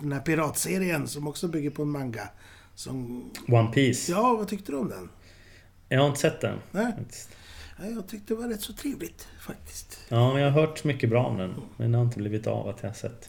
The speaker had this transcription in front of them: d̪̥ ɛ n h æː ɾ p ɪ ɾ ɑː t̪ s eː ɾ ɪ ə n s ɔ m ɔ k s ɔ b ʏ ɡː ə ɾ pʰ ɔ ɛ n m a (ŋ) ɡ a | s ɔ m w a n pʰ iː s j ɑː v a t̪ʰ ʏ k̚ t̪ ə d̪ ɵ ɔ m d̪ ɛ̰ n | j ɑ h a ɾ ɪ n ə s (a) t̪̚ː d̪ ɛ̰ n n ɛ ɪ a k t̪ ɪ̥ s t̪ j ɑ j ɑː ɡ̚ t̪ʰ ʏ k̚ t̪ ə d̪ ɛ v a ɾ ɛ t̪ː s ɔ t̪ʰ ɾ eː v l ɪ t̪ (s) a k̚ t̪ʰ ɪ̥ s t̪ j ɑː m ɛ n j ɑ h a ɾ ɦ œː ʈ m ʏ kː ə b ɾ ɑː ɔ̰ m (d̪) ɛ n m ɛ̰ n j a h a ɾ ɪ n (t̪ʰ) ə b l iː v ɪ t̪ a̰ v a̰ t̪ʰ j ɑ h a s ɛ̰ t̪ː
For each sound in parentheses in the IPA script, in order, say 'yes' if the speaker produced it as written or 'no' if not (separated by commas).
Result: yes, no, no, yes, no